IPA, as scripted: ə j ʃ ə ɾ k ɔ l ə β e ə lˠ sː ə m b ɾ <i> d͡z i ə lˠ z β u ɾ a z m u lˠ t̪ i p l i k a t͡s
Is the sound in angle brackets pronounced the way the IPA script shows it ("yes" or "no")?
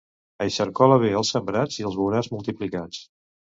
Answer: no